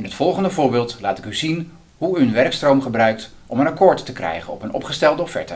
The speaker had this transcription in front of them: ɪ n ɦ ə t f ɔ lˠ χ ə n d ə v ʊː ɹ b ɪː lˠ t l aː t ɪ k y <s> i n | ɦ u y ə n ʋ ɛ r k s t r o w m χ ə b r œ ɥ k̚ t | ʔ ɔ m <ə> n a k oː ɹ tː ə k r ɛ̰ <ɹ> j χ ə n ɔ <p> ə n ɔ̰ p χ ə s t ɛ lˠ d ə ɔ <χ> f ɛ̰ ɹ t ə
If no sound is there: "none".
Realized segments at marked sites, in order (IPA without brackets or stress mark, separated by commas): z, ə, none, p, f